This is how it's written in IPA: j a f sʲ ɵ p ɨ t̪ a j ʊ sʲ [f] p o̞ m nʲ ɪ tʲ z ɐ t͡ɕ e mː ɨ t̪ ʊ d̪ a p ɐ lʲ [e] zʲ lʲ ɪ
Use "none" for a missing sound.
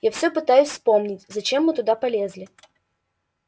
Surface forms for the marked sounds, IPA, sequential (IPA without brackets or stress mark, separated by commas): s, e